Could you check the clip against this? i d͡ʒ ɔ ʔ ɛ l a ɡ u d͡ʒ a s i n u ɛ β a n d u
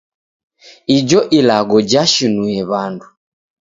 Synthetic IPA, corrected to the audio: i d͡ʒ ɔ ʔ i l a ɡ ɔ d͡ʒ a ʃ i n u ɛ β a n d u